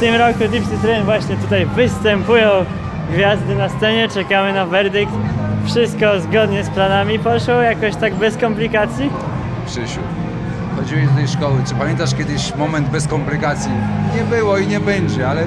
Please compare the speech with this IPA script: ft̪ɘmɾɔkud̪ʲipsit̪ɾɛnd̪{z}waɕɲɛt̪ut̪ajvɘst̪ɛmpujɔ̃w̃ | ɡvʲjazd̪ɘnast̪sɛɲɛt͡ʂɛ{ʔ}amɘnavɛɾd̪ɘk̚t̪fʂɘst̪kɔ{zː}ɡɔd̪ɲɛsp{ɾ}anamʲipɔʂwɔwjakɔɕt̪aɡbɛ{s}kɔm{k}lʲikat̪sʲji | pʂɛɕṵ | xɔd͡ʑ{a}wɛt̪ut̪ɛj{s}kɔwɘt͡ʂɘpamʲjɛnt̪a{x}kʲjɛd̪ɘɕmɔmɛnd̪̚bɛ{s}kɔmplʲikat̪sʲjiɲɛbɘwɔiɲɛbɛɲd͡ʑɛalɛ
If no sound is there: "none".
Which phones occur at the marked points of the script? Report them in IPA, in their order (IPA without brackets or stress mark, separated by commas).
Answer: v, k, z, l, s, p, i, ʂ, ʂ, s